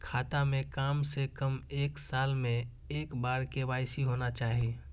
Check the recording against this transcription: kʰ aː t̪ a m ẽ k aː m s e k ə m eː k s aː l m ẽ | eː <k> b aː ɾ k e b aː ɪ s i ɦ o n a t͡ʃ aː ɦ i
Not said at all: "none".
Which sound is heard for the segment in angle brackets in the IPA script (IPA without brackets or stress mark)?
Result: k